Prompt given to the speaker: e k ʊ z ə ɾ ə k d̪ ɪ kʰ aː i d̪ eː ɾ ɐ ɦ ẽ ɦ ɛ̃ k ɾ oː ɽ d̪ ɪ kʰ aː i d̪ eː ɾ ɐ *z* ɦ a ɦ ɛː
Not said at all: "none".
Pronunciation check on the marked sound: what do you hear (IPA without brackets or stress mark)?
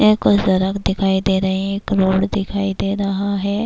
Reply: none